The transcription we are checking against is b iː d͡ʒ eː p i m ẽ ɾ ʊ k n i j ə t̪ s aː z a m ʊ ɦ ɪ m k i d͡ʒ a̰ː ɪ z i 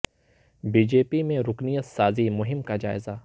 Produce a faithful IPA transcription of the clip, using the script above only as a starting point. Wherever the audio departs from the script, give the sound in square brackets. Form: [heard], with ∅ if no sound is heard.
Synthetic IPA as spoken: b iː d͡ʒ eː p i m ẽ ɾ ʊ k n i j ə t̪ s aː z [i] m ʊ ɦ ɪ m k [a] d͡ʒ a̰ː ɪ z [a]

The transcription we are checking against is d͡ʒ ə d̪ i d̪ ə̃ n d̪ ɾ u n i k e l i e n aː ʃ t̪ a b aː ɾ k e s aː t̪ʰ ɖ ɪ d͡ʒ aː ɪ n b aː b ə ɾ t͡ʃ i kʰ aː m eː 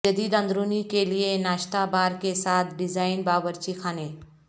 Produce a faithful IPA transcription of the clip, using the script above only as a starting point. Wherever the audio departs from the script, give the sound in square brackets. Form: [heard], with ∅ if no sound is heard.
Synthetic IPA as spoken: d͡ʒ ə d̪ i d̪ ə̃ n d̪ ɾ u n i k e l i e n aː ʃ t̪ a b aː ɾ k e s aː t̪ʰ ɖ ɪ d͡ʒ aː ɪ n b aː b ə ɾ t͡ʃ i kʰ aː [n] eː

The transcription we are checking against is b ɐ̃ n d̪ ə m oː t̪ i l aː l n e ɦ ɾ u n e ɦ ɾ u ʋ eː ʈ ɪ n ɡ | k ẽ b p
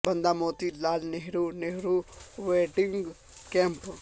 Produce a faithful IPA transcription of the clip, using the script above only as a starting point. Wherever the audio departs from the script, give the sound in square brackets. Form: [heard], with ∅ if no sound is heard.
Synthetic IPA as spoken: b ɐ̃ n d̪ [a] m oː t̪ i l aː l n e ɦ ɾ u n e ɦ ɾ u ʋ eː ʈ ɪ [ŋ] ɡ | k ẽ [m] p

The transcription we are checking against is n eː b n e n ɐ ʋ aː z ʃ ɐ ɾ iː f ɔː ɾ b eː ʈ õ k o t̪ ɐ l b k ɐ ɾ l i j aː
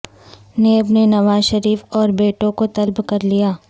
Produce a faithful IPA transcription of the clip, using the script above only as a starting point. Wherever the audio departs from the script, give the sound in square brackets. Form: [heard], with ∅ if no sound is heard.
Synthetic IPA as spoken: n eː b n e n ɐ ʋ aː z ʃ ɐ ɾ iː f ɔː ɾ b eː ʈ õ k o t̪ ɐ l b k ɐ ɾ l i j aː

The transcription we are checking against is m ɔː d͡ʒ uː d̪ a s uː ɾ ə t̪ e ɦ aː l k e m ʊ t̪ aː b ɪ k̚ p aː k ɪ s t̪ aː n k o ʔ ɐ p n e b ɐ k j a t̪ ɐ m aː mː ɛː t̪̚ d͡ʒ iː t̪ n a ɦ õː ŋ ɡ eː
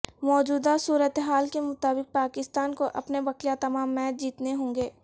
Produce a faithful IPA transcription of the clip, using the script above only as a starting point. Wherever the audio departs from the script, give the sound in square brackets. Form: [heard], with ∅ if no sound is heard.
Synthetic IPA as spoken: m ɔː d͡ʒ uː d̪ a s uː ɾ ə t̪ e ɦ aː l k e m ʊ t̪ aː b ɪ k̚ p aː k ɪ s t̪ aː n k o ʔ ɐ p n e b ɐ k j a t̪ ɐ m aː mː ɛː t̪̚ d͡ʒ iː t̪ n [e] ɦ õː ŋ ɡ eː

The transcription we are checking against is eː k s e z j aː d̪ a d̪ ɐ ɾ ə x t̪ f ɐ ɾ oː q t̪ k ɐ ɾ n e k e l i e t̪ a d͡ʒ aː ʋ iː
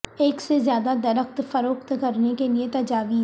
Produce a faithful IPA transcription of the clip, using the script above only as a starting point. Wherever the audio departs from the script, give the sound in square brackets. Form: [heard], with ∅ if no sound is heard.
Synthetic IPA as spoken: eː k s e z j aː d̪ a d̪ ɐ ɾ ə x t̪ f ɐ ɾ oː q t̪ k ɐ ɾ n e k e l i e t̪ [ɐ] d͡ʒ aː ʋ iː

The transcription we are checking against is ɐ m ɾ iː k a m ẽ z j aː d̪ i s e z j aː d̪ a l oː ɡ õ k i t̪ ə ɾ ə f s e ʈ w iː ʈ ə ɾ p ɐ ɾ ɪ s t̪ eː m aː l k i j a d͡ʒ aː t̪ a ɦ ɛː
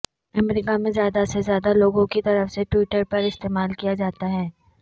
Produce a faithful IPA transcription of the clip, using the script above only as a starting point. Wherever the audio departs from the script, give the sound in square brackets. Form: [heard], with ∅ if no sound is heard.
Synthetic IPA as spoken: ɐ m ɾ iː k a m ẽ z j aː d̪ [a] s e z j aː d̪ a l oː ɡ õ k i t̪ [ɐ] ɾ ə f s e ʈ w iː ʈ ə ɾ p ɐ ɾ ɪ s t̪ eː m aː l k i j a d͡ʒ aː t̪ a ɦ ɛː

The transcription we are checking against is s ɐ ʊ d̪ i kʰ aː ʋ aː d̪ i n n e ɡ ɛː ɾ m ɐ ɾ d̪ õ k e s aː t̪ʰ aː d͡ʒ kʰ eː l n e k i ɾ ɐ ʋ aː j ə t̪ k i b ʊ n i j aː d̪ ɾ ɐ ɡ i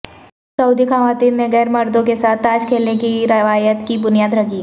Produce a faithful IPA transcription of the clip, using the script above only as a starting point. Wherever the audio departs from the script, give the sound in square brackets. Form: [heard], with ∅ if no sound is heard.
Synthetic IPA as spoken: s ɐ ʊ d̪ i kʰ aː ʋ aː [t̪] i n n e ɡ ɛː ɾ m ɐ ɾ d̪ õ k e s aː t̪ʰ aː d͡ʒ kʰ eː l n e k i ɾ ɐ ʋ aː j ə t̪ k i b ʊ n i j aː d̪ ɾ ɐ ɡ i

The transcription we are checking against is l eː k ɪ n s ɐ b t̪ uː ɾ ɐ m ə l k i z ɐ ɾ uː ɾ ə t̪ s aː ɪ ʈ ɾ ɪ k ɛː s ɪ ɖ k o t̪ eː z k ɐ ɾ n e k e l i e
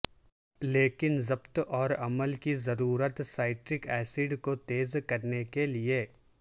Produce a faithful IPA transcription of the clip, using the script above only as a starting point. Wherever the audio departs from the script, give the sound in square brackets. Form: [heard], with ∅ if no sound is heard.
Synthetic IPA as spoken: l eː k ɪ n [z] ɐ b t̪ [ɔː] ɾ ɐ m ə l k i z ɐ ɾ uː ɾ ə t̪ s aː ɪ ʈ ɾ ɪ k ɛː s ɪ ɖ k o t̪ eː z k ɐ ɾ n e k e l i e

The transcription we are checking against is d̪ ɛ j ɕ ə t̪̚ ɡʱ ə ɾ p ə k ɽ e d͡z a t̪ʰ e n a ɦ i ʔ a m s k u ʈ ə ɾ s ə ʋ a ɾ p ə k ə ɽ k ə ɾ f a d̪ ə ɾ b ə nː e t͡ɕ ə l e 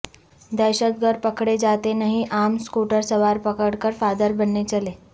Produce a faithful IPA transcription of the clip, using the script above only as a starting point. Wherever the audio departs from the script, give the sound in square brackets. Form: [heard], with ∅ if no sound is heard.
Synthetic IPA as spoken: d̪ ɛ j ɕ ə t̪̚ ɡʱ ə ɾ p ə k ɽ e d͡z a [t̪] e n a ɦ i ʔ a m s k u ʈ ə ɾ s ə ʋ a ɾ p ə k ə ɽ k ə ɾ f a d̪ ə ɾ b ə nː e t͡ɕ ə l e

